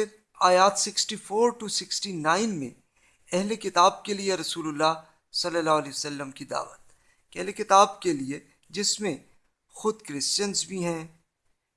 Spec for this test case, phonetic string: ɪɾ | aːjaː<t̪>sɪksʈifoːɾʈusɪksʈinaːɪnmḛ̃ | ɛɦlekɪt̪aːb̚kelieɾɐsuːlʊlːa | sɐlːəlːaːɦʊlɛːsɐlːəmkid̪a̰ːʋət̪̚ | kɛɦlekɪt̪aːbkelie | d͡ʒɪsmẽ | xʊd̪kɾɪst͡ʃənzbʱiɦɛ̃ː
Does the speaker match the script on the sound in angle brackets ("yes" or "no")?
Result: yes